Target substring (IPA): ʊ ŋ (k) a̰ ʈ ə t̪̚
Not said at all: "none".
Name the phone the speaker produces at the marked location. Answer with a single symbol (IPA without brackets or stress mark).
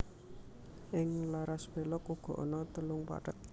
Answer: p